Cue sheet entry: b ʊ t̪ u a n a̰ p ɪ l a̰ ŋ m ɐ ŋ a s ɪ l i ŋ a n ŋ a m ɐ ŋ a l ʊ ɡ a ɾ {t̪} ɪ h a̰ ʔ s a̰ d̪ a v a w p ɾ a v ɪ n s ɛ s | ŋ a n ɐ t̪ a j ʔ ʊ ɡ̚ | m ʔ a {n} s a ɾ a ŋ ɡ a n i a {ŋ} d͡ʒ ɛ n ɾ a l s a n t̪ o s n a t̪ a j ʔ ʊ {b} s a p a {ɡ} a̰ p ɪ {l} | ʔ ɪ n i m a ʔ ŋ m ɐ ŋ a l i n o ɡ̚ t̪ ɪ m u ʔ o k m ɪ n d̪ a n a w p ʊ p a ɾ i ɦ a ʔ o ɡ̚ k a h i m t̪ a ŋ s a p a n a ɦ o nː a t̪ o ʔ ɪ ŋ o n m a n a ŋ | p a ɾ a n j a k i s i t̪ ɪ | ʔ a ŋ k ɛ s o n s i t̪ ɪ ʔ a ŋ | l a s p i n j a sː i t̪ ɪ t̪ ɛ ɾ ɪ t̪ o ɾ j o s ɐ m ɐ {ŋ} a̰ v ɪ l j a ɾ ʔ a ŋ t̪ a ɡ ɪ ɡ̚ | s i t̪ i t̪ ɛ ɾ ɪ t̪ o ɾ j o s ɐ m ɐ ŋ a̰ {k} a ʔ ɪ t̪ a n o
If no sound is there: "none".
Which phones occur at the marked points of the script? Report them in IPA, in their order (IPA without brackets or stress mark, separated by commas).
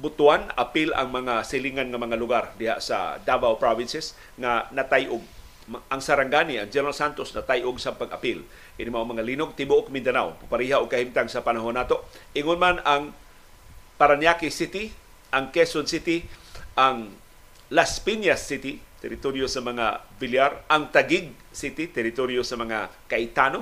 d̪, ŋ, ŋ, ɡ, ɡ, l, ŋ, k